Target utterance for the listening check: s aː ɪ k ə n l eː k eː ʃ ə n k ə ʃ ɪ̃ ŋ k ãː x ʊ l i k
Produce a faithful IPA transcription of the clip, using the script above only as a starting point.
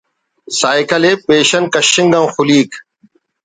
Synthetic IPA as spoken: s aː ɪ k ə l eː p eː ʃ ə n k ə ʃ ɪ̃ ŋ ɡ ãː x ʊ l iː k

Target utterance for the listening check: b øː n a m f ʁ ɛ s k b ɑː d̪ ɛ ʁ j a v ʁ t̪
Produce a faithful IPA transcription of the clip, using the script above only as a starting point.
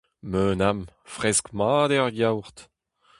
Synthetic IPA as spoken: m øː n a m f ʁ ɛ s k m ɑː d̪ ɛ ʁ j a w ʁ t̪

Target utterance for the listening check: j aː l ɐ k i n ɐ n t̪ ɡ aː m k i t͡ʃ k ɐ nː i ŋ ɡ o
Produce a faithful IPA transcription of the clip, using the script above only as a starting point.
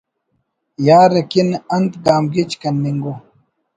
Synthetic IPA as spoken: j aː ɾ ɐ k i n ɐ n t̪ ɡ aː m ɡ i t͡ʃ k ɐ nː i ŋ ɡ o

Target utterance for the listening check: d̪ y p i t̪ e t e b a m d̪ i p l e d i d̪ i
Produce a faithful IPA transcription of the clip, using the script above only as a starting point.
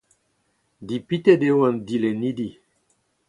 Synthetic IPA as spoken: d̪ i p i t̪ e d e w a n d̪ i l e n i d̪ i

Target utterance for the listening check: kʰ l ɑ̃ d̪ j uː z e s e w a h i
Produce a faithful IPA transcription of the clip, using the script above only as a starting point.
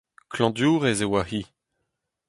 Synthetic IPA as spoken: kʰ l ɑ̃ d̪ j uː ʁ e z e w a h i

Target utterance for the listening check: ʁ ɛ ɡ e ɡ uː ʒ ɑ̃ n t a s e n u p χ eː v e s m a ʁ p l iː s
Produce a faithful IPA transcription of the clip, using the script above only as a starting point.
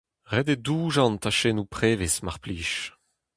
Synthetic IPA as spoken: ʁ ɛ d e d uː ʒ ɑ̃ n t a ʃ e n u p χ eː v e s m a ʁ p l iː ʃ

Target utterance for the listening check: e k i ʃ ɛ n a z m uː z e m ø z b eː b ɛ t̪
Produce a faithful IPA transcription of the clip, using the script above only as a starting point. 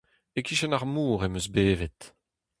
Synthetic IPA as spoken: e k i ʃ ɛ n a ʁ m uː ʁ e m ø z b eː v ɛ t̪

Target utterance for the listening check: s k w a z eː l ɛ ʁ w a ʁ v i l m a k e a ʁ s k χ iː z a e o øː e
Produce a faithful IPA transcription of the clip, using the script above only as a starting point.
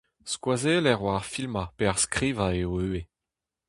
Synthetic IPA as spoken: s k w a z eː l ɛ ʁ w a ʁ f i l m a p e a ʁ s k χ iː v a e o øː e

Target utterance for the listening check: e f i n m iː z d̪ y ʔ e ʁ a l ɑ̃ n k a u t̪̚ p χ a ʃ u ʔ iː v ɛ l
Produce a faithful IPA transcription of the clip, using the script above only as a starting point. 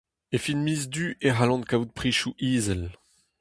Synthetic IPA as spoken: e f i n m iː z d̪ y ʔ e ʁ a l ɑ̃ n k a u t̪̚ p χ i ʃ u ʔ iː z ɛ l

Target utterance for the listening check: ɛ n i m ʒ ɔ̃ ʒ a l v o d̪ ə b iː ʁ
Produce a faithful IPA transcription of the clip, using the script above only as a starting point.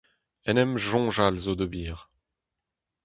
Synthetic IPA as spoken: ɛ n ɛ m ʒ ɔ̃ ʒ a l z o d̪ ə b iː ʁ

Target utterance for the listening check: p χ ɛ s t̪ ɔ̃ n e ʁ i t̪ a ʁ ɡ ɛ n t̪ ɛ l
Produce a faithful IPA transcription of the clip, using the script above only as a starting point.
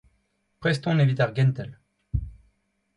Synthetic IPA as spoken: p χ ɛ s t̪ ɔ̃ n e v i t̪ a ʁ ɡ ɛ n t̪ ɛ l

